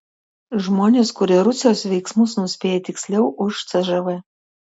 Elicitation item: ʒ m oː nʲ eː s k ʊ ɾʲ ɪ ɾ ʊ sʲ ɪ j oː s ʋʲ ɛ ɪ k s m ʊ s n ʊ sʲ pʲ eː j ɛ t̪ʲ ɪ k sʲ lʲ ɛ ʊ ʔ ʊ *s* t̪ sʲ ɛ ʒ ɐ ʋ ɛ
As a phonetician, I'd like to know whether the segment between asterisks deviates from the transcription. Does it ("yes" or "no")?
yes